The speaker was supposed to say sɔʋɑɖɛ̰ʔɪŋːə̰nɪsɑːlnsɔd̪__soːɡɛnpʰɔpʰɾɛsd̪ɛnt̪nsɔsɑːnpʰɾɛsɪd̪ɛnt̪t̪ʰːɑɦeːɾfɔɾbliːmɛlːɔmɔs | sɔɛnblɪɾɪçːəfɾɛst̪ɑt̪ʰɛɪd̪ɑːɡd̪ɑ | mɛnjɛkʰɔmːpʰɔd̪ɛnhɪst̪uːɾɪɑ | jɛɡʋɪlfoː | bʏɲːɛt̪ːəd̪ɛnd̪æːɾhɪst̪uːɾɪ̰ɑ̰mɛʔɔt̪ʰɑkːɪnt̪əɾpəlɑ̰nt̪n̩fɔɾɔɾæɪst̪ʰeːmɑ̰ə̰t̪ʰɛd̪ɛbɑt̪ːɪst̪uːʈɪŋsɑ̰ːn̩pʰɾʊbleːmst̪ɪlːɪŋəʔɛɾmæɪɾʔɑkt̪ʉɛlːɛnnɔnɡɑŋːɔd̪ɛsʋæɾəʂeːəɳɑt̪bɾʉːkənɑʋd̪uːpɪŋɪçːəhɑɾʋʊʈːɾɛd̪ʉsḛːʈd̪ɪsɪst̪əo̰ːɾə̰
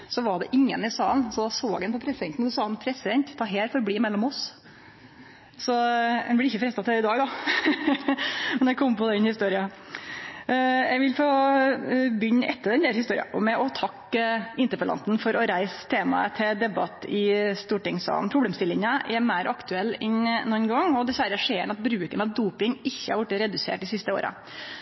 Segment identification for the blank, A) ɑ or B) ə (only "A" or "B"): A